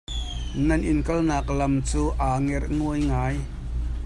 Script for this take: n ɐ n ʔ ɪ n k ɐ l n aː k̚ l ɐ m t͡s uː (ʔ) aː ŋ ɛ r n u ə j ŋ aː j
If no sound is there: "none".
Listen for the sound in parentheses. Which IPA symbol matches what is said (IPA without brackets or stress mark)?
ʔ